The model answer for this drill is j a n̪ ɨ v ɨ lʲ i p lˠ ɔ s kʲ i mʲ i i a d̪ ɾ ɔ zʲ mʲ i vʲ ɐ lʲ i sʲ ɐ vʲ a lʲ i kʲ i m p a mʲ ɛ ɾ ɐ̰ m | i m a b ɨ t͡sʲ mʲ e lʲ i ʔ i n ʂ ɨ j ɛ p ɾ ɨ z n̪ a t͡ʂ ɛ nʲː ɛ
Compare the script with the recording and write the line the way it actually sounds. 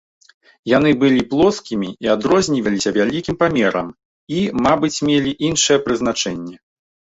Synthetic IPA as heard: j a n̪ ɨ b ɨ lʲ i p lˠ ɔ s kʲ i mʲ i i a d̪ ɾ ɔ zʲ nʲ i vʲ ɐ lʲ i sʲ ɐ vʲ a lʲ i kʲ i m p a mʲ ɛ ɾ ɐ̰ m | i m a b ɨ t͡sʲ mʲ e lʲ i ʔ i n ʂ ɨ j ɛ p ɾ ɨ z n̪ a t͡ʂ ɛ nʲː ɛ